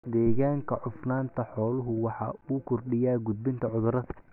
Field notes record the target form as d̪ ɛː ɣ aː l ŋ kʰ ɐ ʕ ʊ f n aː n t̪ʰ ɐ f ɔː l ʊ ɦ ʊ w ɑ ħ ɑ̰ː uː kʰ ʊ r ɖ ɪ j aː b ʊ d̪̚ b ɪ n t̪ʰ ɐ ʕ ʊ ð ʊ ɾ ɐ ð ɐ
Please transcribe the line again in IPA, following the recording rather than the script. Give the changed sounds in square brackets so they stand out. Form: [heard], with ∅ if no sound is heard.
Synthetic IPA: d̪ ɛː ɣ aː [∅] ŋ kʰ ɐ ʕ ʊ f n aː n t̪ʰ ɐ [ħ] ɔː l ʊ ɦ ʊ w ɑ ħ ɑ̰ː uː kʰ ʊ r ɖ ɪ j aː [ɡ] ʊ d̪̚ b ɪ n t̪ʰ ɐ ʕ ʊ ð ʊ ɾ ɐ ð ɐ